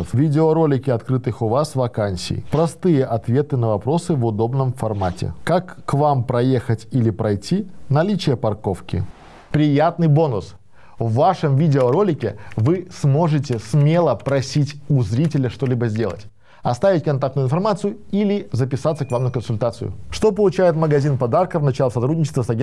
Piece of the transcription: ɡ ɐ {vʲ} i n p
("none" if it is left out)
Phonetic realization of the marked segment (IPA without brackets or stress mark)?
zʲ